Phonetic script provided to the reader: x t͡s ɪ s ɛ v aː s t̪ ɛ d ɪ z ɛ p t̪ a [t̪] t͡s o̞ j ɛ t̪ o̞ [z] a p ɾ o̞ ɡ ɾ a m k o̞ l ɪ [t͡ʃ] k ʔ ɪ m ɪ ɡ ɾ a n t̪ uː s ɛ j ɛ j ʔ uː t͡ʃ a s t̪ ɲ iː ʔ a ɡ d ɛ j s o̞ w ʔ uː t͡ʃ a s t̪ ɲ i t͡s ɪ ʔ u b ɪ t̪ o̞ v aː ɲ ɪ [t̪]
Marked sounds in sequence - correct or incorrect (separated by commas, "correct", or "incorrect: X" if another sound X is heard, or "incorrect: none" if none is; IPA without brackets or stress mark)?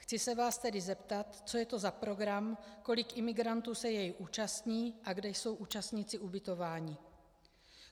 correct, correct, incorrect: none, incorrect: none